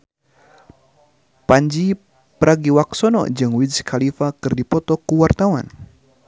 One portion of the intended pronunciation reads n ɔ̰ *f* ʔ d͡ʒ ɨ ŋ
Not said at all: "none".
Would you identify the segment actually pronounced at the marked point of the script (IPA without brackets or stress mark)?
none